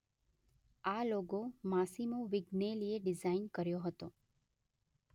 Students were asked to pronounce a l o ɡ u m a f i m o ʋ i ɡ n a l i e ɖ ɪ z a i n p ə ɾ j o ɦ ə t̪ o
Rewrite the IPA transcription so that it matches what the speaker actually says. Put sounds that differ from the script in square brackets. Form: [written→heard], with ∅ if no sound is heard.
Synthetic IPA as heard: a l o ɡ [u→o] m a [f→s] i m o ʋ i ɡ n [a→e] l i e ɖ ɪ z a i n [p→k] ə ɾ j o ɦ ə t̪ o